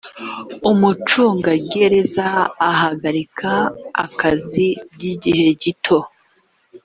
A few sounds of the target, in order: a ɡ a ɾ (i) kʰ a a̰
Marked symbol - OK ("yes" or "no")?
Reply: yes